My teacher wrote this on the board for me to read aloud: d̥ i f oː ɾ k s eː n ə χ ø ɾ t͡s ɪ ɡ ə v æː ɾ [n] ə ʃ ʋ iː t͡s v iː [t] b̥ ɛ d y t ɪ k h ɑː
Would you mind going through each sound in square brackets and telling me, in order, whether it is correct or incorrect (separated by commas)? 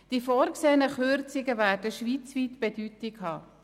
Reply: incorrect, correct